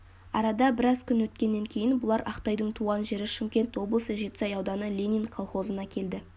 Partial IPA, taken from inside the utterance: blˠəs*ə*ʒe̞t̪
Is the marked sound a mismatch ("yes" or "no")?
no